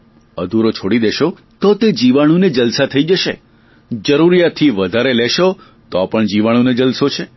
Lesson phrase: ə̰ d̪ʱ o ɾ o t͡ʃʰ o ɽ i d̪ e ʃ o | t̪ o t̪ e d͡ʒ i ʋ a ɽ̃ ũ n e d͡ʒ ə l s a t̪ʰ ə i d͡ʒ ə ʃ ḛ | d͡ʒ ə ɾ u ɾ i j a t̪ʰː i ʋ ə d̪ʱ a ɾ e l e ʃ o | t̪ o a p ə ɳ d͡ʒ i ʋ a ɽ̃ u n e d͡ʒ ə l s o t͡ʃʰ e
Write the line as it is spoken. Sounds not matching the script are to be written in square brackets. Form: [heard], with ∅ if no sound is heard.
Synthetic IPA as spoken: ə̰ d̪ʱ [u] ɾ o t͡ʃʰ o ɽ i d̪ e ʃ o | t̪ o t̪ e d͡ʒ i ʋ a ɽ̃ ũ n e d͡ʒ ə l s a t̪ʰ ə i d͡ʒ ə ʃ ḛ | d͡ʒ ə ɾ u ɾ i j a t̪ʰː i ʋ ə d̪ʱ a ɾ e l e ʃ o | t̪ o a p ə ɳ d͡ʒ i ʋ a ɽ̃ u n e d͡ʒ ə l s o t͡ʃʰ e